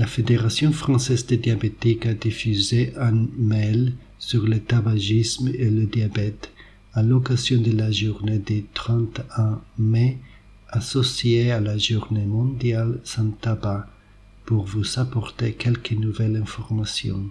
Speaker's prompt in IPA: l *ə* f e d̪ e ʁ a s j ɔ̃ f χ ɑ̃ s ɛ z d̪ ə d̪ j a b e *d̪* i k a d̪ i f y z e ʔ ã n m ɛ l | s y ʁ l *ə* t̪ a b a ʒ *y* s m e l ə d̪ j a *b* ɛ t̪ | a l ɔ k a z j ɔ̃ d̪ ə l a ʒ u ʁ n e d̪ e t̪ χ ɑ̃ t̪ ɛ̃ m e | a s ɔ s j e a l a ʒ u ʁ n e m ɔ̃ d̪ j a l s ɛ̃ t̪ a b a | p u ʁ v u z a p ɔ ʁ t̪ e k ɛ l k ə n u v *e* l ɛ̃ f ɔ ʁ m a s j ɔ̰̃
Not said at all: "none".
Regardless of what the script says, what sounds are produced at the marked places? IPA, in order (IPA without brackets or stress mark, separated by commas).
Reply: a, t̪, ə, i, b, ɛ